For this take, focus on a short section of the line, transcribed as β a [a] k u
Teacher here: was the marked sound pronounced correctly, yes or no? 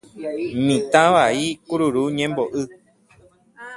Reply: no